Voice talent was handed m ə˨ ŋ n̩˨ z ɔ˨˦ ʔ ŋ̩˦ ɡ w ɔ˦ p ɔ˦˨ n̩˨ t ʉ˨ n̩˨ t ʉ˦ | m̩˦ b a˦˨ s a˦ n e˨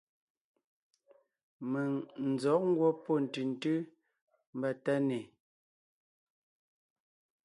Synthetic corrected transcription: m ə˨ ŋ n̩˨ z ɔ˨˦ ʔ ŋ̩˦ ɡ w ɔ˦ p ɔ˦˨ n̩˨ t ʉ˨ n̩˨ t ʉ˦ | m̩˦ b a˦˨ t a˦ n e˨